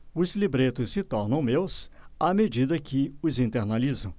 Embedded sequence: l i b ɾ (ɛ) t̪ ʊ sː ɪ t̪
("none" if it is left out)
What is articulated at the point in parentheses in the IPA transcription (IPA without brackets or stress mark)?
e